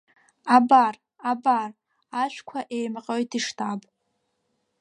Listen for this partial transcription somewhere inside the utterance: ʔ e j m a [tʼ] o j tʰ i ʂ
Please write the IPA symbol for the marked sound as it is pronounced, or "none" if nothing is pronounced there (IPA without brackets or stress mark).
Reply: qʼ